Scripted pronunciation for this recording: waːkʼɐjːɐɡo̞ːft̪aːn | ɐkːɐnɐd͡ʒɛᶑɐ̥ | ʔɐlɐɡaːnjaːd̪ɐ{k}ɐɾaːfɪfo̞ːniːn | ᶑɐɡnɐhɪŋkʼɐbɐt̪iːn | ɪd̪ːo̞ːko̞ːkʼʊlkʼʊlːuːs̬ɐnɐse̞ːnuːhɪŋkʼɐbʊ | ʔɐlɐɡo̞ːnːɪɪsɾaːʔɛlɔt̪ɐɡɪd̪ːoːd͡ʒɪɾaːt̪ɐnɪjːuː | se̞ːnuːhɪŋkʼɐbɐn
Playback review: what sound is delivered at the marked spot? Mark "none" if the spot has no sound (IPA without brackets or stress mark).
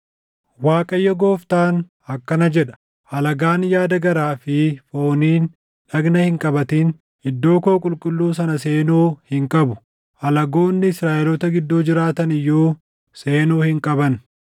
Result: ɡ